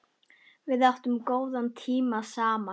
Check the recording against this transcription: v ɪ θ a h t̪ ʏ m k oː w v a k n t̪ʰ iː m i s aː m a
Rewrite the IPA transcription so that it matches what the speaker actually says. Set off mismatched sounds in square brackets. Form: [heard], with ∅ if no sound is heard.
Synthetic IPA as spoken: v ɪ [ð] a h t̪ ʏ m k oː w [ð] a [∅] n t̪ʰ iː m [a] s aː m a